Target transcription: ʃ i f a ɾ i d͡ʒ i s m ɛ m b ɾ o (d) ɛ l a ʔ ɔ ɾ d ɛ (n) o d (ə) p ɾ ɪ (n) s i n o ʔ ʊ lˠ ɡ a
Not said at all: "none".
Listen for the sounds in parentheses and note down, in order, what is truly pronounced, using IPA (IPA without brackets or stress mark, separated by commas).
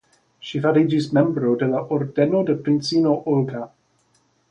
d, n, ə, n